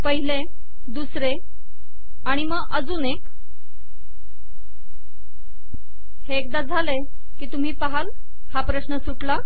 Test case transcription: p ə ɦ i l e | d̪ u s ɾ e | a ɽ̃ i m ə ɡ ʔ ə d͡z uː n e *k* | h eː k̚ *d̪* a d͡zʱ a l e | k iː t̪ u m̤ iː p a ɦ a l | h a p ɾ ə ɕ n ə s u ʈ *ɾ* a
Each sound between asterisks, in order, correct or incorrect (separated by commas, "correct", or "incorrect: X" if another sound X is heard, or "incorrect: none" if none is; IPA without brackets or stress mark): correct, correct, incorrect: l